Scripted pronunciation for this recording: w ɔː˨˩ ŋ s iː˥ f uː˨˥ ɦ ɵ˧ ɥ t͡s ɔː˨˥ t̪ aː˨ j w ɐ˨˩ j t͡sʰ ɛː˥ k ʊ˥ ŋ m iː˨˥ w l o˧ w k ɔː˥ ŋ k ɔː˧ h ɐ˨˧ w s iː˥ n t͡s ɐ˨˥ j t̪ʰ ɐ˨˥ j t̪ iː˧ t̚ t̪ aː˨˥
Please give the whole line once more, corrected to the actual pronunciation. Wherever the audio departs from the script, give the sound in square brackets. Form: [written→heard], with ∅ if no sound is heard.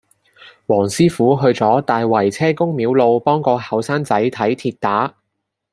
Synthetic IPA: w ɔː˨˩ ŋ s iː˥ f uː˨˥ ɦ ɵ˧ ɥ t͡s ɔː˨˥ t̪ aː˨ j w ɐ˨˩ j t͡sʰ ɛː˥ k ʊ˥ ŋ m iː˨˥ w l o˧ w [k→p] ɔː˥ ŋ k ɔː˧ h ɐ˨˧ w s [iː˥→aː˥] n t͡s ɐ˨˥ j t̪ʰ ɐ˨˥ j [t̪→t̪ʰ] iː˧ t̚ t̪ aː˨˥

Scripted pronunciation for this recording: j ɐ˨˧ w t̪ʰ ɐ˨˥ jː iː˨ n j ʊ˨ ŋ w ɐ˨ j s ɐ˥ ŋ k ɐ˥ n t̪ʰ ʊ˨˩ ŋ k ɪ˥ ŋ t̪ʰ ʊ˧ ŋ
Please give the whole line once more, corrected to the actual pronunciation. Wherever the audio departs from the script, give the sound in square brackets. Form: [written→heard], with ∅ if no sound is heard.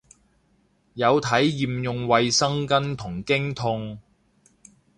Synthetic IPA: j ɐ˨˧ w t̪ʰ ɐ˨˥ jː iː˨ [n→m] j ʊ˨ ŋ w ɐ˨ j s ɐ˥ ŋ k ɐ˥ n t̪ʰ ʊ˨˩ ŋ k ɪ˥ ŋ t̪ʰ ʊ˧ ŋ

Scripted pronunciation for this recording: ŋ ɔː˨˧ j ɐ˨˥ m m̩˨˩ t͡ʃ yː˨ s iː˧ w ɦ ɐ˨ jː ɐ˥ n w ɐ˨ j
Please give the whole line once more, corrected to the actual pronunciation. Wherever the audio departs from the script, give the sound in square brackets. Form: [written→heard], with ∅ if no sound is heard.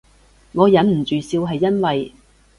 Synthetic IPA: ŋ ɔː˨˧ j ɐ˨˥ [m→n] m̩˨˩ t͡ʃ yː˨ s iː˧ w ɦ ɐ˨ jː ɐ˥ n w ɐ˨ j

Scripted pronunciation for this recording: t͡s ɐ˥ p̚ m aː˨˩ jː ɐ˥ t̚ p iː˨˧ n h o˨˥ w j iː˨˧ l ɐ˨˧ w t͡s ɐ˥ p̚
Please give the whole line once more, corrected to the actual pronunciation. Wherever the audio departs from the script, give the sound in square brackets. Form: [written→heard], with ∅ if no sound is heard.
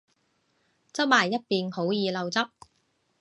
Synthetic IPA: t͡s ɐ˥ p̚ m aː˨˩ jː ɐ˥ t̚ p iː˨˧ n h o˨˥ w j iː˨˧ l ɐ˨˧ w t͡s ɐ˥ p̚

